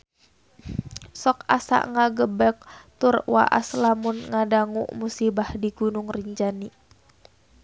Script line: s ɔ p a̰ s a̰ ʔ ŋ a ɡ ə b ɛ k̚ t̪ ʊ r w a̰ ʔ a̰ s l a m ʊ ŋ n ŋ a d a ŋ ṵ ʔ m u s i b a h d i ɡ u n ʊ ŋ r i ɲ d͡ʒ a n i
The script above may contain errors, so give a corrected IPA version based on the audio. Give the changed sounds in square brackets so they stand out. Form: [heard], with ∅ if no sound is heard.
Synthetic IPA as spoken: s ɔ [k] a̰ s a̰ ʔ ŋ a ɡ ə b ɛ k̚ t̪ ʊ r w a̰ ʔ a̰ s l a m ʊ [∅] n ŋ a d a ŋ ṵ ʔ m u s i b a h d i ɡ u n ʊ ŋ r i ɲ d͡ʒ a n i